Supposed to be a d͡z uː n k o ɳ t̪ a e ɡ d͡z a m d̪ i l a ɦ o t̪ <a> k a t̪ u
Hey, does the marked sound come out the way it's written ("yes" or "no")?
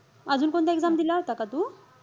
yes